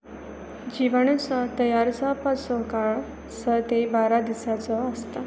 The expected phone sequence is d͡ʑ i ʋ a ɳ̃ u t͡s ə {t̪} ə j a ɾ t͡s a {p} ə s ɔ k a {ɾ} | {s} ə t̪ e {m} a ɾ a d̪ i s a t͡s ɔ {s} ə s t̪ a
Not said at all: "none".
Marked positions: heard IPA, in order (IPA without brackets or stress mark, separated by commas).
t̪, p, ɭ, s, b, none